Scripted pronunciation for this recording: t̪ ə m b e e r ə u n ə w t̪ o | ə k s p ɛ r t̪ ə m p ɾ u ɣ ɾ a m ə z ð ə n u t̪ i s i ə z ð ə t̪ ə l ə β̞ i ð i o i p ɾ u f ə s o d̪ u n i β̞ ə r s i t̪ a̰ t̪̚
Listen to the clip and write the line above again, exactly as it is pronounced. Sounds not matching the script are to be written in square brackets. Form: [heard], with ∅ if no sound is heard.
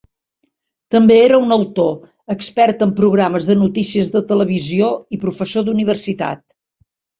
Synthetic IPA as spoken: t̪ ə m b e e [ɾ] ə u n ə w t̪ o | ə k s p ɛ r t̪ ə m p ɾ u ɣ ɾ a m ə z ð ə n u t̪ i s i ə z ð ə t̪ ə l ə β̞ i [z] i o i p ɾ u f ə s o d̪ u n i β̞ ə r s i t̪ a̰ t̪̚